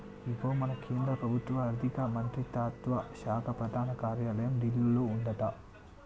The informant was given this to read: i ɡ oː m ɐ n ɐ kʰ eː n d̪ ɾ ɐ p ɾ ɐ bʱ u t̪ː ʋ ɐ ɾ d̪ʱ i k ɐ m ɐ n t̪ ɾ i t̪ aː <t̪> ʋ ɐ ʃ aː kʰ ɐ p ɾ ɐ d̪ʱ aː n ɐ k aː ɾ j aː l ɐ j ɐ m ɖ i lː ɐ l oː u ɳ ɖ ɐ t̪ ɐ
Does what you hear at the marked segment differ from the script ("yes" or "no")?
no